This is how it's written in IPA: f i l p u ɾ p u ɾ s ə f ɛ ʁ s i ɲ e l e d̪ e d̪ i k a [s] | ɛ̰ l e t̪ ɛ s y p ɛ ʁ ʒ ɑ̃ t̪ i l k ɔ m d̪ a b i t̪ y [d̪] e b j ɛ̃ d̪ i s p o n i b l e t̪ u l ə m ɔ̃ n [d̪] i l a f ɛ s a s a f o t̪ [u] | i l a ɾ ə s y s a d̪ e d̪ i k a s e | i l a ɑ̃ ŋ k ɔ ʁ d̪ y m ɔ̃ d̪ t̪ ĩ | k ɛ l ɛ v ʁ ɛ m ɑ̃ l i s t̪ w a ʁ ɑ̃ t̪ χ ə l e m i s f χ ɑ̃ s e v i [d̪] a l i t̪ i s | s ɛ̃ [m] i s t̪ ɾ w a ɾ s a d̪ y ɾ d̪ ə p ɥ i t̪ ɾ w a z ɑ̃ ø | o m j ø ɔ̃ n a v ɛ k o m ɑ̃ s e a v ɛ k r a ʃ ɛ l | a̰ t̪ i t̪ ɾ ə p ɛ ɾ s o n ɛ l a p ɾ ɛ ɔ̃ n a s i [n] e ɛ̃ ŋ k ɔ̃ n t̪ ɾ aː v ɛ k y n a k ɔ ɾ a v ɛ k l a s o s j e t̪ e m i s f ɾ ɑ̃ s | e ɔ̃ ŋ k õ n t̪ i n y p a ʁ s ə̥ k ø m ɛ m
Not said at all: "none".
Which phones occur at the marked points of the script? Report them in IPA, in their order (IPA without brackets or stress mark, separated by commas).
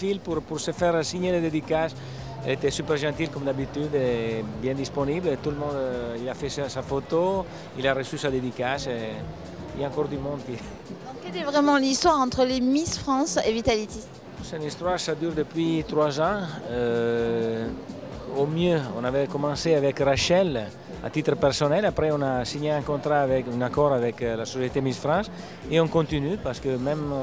s, d̪, d̪, o, t̪, n, ɲ